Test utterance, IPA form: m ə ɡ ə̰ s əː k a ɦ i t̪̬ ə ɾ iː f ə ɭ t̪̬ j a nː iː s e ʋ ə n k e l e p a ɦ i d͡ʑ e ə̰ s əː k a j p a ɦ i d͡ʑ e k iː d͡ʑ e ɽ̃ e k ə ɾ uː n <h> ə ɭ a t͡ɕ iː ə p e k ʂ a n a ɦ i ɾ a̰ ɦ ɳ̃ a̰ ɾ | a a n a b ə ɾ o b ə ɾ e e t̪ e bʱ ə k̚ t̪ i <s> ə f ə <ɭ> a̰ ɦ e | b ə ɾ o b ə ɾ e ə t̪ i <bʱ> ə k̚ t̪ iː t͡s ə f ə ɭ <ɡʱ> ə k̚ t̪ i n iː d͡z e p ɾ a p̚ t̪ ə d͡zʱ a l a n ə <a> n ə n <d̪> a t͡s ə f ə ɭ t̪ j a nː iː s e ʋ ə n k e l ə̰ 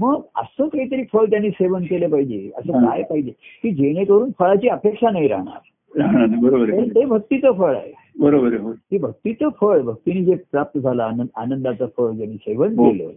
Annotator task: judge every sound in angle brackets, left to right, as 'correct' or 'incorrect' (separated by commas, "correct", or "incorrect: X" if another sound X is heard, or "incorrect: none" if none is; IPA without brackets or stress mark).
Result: incorrect: f, incorrect: t͡s, correct, correct, incorrect: bʱ, correct, correct